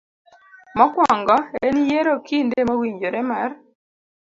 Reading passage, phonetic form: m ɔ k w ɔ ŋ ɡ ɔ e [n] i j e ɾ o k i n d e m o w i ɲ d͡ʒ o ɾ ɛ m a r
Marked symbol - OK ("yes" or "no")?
yes